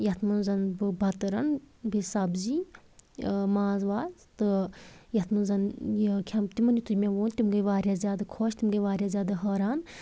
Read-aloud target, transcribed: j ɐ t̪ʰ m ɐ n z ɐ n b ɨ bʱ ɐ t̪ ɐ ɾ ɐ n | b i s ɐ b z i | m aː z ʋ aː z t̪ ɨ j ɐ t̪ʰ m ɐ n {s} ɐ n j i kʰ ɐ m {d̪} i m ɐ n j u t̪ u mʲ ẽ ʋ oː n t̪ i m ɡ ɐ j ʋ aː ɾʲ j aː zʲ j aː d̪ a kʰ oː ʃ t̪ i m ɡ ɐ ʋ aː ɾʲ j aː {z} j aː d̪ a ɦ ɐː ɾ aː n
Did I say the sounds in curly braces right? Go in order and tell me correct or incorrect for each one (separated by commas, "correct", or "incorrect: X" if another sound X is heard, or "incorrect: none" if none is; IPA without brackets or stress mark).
incorrect: z, incorrect: t̪, correct